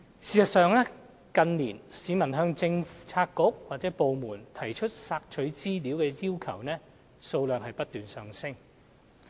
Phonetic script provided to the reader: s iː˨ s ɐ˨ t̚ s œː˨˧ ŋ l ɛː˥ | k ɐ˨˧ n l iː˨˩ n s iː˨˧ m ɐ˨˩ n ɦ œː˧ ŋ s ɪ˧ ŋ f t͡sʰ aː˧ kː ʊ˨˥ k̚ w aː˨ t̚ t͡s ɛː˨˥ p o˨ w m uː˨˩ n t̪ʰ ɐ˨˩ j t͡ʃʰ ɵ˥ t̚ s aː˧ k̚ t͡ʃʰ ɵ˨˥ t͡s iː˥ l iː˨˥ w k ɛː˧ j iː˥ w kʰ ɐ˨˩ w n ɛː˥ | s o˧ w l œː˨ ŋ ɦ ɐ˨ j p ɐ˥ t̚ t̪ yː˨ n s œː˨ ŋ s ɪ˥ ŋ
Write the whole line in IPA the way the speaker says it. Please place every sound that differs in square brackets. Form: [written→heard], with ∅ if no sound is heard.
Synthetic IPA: s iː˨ s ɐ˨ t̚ s œː˨˧ ŋ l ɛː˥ | k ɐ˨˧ n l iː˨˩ n s iː˨˧ m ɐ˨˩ n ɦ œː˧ ŋ [s→t͡s] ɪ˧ ŋ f t͡sʰ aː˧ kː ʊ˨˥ k̚ w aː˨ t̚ t͡s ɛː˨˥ p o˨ w m uː˨˩ n t̪ʰ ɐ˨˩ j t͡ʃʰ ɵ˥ t̚ s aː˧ k̚ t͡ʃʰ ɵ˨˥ t͡s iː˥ l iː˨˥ w k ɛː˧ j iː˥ w kʰ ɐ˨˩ w n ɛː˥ | s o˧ w l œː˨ ŋ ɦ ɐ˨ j p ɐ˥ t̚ t̪ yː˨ n s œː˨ ŋ s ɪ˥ ŋ

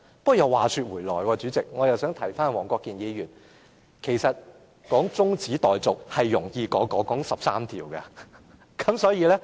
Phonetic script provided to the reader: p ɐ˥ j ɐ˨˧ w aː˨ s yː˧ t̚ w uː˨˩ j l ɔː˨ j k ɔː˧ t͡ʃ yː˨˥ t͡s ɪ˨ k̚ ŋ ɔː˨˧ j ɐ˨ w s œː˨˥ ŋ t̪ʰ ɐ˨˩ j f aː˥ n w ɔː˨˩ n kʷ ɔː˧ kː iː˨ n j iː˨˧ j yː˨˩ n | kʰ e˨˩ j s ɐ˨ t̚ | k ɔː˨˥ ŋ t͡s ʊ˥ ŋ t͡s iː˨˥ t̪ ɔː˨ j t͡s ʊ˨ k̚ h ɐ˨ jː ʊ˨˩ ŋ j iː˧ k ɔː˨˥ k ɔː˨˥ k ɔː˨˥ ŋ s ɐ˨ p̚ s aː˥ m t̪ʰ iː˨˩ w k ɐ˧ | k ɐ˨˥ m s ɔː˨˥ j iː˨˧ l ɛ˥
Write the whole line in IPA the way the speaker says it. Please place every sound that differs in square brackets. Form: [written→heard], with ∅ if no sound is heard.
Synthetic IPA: p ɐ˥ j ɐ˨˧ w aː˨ s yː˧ t̚ w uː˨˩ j l ɔː˨ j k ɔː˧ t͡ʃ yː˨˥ t͡s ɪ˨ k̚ ŋ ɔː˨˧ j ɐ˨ w s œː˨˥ ŋ t̪ʰ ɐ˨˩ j f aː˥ n w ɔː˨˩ [n→ŋ] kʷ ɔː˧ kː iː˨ n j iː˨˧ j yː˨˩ n | kʰ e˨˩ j s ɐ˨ t̚ | k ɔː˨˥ ŋ t͡s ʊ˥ ŋ t͡s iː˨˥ t̪ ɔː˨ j t͡s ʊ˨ k̚ h ɐ˨ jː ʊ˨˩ ŋ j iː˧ k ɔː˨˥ k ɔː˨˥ k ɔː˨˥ ŋ s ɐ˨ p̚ s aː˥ m t̪ʰ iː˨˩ w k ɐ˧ | k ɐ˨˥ m s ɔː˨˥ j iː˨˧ l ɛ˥

